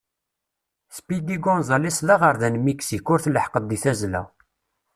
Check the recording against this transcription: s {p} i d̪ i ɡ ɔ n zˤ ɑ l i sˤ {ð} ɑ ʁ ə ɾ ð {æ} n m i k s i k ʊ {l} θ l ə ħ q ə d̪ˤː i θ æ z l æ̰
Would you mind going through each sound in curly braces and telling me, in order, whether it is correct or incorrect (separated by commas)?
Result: correct, correct, correct, incorrect